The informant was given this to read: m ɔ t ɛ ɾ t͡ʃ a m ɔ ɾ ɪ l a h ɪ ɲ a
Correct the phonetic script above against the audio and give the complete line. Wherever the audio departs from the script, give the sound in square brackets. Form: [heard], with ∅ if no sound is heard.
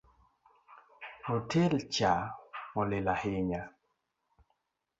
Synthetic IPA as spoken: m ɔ t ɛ [l] t͡ʃ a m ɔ [l] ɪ l a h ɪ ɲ a